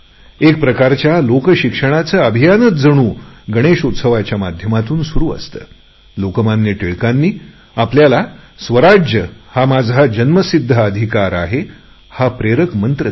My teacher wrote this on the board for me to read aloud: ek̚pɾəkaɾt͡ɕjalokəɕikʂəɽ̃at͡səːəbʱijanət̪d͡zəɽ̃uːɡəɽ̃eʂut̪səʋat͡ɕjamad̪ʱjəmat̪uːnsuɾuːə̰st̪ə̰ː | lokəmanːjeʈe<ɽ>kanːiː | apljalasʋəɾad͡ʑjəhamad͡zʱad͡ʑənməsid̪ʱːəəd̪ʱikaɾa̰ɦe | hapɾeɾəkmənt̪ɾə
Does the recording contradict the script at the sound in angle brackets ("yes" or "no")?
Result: yes